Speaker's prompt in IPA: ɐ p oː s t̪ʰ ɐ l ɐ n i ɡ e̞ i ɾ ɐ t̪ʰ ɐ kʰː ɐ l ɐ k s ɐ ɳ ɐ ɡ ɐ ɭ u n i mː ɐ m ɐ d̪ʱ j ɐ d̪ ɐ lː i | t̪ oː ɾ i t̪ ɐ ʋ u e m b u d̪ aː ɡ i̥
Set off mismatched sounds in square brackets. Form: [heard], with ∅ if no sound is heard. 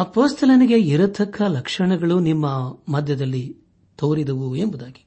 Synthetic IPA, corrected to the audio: ɐ p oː s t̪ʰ ɐ l ɐ n i ɡ e̞ i ɾ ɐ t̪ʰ ɐ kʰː ɐ l ɐ k [ʂ] ɐ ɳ ɐ ɡ ɐ ɭ u n i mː ɐ m ɐ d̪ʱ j ɐ d̪ ɐ lː i | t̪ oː ɾ i [d̪] ɐ ʋ u e m b u d̪ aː ɡ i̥